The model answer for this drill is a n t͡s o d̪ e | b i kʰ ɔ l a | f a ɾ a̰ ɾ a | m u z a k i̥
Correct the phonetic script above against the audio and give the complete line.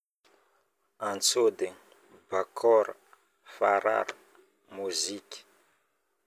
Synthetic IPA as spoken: a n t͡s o d̪ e | b a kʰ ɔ ɾ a | f a ɾ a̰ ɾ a | m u z i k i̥